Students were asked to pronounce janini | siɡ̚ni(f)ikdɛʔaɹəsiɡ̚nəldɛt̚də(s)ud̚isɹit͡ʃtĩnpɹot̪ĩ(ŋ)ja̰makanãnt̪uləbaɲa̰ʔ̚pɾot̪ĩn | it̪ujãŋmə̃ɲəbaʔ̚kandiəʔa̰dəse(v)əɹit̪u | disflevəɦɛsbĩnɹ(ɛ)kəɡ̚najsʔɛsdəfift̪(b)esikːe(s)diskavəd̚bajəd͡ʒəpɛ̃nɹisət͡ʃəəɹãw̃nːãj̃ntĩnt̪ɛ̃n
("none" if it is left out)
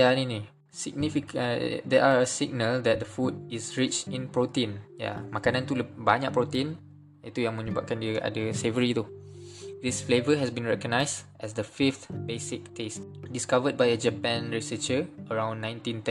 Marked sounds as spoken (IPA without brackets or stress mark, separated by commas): f, f, n, v, ɛ, b, s